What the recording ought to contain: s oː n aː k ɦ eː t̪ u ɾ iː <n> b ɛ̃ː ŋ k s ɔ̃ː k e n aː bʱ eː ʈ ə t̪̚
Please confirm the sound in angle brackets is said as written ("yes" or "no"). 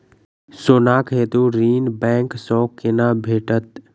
yes